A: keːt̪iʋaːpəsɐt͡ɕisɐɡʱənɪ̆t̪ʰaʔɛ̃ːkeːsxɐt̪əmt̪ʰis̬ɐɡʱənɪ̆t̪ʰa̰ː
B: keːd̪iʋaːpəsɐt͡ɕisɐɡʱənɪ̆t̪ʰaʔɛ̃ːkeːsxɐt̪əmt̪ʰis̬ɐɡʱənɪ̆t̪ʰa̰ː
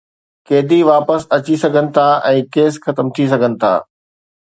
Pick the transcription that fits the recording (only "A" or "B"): B